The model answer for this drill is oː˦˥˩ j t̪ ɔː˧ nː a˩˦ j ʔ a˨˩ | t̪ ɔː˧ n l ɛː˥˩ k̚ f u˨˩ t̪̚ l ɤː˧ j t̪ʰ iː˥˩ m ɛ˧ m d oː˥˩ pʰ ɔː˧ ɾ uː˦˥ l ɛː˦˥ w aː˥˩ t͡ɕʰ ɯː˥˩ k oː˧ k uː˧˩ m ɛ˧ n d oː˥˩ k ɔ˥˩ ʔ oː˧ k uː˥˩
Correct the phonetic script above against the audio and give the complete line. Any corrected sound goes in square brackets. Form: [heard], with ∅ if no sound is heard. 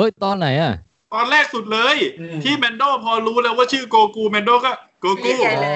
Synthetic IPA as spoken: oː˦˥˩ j t̪ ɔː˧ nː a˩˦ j ʔ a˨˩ | t̪ ɔː˧ n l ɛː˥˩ k̚ [s] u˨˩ t̪̚ l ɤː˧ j t̪ʰ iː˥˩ m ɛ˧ [n] d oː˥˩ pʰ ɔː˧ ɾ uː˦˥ l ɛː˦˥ w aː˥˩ t͡ɕʰ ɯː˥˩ k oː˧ k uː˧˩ m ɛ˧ n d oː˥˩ k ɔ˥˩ [k] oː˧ k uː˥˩